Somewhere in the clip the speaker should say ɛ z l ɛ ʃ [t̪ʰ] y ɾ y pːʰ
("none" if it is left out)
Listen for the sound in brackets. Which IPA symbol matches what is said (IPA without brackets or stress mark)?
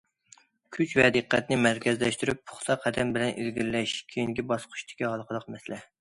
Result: t̪